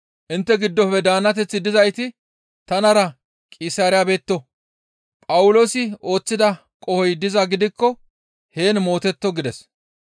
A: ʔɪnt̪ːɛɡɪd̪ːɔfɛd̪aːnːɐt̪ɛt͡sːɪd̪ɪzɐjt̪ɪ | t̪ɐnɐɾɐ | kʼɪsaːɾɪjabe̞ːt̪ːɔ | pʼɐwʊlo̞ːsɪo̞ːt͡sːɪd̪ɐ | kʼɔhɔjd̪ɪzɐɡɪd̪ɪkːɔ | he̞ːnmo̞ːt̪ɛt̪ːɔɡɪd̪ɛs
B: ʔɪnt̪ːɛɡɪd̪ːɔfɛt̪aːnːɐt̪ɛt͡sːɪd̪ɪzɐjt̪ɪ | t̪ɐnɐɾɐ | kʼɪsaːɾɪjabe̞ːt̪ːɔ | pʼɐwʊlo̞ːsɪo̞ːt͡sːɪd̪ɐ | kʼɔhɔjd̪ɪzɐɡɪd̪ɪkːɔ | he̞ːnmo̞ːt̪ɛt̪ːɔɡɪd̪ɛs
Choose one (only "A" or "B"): A